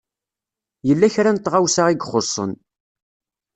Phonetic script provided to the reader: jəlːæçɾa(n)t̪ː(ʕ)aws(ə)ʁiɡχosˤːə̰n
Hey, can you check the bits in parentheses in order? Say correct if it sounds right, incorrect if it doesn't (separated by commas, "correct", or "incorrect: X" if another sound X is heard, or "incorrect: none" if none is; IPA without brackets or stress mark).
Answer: correct, incorrect: ʁ, incorrect: a